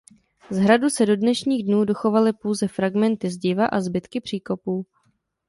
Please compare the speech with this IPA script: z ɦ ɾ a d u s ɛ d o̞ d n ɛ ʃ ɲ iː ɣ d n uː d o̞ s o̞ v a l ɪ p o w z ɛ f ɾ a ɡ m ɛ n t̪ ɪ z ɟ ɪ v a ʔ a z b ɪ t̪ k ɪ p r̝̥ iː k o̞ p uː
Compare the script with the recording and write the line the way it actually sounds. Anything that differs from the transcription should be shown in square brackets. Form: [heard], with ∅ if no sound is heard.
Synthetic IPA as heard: z ɦ ɾ a d u s ɛ d o̞ d n ɛ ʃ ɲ iː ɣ d n uː d o̞ [x] o̞ v a l ɪ p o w z ɛ f ɾ a ɡ m ɛ n t̪ ɪ z ɟ ɪ v a ʔ a z b ɪ t̪ k ɪ p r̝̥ iː k o̞ p uː